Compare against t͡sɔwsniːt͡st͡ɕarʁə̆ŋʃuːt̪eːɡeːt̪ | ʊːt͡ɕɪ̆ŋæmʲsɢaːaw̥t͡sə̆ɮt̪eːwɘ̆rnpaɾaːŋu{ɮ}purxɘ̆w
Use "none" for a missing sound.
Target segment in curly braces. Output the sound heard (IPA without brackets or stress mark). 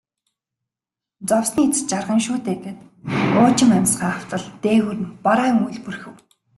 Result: ɮ